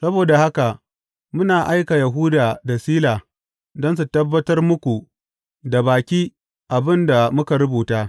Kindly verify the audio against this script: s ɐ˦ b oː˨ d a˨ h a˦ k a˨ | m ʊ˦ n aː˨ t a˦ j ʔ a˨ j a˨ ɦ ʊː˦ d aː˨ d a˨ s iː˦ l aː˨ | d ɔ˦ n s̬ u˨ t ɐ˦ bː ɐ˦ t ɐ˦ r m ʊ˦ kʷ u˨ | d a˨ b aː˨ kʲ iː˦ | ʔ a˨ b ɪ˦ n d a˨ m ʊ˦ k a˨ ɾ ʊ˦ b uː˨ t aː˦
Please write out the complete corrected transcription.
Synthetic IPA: s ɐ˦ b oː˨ d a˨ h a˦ k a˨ | m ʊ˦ n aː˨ ʔ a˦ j k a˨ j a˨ ɦ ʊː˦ d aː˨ d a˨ s iː˦ l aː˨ | d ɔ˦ n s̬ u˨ t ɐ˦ bː ɐ˦ t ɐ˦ r m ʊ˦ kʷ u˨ | d a˨ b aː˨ kʲ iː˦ | ʔ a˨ b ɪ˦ n d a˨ m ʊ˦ k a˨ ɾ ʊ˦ b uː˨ t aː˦